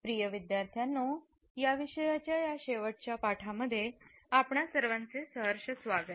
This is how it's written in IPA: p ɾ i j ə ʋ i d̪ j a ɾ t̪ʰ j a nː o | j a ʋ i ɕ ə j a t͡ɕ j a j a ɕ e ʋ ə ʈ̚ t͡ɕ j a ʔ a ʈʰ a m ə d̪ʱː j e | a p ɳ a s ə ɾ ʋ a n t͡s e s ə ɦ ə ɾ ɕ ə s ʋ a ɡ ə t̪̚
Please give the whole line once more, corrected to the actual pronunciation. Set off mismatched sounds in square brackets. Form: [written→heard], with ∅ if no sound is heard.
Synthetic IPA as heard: p ɾ i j ə ʋ i d̪ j a ɾ t̪ʰ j a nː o | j a ʋ i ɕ ə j a t͡ɕ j a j a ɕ e ʋ ə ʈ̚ t͡ɕ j a [ʔ→p] a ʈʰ a m ə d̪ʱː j e | a p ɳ a s ə ɾ ʋ a n t͡s e s ə ɦ ə ɾ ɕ ə s ʋ a ɡ ə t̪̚